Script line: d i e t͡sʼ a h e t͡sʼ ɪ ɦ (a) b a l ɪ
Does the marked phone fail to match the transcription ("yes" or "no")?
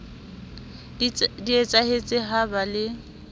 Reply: no